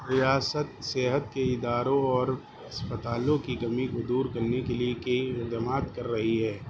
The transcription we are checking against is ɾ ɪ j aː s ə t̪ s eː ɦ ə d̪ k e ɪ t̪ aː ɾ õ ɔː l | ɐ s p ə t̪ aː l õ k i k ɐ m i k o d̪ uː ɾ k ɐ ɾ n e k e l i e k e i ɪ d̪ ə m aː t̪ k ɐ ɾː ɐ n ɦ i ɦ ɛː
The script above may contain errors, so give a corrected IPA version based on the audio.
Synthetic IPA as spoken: ɾ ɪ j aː s ə t̪ s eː ɦ ə t̪ k e ɪ d̪ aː ɾ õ ɔː ɾ | ɐ s p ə t̪ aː l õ k i k ɐ m i k o d̪ uː ɾ k ɐ ɾ n e k e l i e k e i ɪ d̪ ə m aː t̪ k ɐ ɾː ɐ ɦ i ɦ ɛː